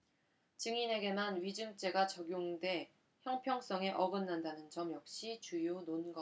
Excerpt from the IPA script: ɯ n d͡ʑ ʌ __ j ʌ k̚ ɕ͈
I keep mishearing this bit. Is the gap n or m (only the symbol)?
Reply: m